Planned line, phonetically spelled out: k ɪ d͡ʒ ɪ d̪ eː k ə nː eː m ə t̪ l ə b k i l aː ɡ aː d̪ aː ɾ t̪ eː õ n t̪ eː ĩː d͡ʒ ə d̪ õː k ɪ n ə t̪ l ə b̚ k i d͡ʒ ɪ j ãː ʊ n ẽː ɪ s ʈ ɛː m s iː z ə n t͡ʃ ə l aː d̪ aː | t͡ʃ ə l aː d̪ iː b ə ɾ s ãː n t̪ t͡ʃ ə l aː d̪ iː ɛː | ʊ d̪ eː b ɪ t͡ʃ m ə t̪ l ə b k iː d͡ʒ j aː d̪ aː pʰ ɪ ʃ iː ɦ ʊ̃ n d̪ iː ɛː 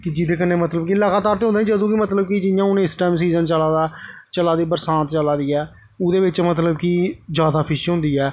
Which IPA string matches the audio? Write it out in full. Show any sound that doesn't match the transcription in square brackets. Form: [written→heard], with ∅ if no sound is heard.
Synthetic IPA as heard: k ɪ d͡ʒ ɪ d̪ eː k ə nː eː m ə t̪ l ə b k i l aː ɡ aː [d̪→t̪] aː ɾ t̪ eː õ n [t̪→d̪] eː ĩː d͡ʒ ə d̪ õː k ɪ [n→m] ə t̪ l ə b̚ k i d͡ʒ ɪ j ãː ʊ n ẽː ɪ s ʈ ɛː m s iː z ə n t͡ʃ ə l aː d̪ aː | t͡ʃ ə l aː d̪ iː b ə ɾ s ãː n t̪ t͡ʃ ə l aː d̪ iː ɛː | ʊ d̪ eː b ɪ t͡ʃ m ə t̪ l ə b k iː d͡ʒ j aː d̪ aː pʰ ɪ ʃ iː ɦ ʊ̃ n d̪ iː ɛː